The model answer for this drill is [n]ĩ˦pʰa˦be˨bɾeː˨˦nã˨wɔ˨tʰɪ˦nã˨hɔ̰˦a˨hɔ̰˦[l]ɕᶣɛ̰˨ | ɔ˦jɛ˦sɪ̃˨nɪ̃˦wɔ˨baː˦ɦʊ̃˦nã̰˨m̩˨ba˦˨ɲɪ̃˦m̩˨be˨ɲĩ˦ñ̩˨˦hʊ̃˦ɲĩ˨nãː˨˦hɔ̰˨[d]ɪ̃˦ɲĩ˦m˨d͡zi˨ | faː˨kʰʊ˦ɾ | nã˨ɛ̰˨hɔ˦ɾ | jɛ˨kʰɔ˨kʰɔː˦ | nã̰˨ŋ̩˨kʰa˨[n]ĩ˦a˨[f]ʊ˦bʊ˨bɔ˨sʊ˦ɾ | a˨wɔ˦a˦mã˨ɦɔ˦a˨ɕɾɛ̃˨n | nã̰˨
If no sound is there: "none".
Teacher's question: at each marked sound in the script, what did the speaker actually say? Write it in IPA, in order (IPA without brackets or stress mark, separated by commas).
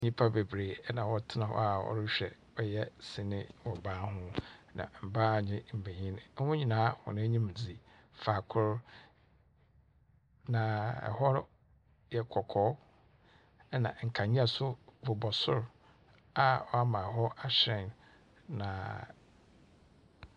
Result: ɲ, ɾ, n, ɲ, s